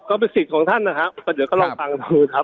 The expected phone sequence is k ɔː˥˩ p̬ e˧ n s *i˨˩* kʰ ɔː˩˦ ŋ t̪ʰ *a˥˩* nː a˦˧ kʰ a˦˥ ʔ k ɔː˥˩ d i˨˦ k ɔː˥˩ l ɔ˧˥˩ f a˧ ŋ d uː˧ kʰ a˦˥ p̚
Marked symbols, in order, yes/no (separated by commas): yes, yes